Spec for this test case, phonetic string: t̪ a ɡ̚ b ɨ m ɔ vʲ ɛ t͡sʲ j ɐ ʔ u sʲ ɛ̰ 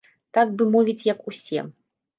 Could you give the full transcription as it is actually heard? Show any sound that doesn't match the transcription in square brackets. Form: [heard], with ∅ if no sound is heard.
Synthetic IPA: t̪ a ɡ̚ b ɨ m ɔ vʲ [i] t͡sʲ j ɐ [k] u sʲ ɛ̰